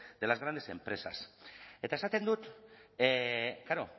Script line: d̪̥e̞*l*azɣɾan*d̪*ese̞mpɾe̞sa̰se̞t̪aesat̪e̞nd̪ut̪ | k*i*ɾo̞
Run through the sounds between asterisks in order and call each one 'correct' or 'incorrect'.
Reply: correct, correct, incorrect

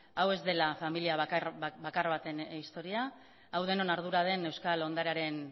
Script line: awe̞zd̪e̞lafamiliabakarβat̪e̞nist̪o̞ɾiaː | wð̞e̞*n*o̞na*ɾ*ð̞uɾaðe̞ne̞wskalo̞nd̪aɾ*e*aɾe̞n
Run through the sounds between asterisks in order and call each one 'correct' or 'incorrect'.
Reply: correct, correct, correct

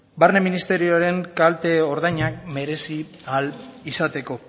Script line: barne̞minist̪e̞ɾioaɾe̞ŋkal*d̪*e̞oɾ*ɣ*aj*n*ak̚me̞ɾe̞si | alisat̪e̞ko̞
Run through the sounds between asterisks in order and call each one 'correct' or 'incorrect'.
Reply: incorrect, incorrect, incorrect

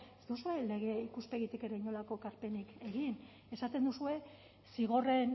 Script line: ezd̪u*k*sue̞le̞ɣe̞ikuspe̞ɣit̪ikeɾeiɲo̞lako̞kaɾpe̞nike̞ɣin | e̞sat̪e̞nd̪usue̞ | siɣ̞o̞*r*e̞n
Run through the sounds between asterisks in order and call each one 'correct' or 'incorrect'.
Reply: incorrect, correct

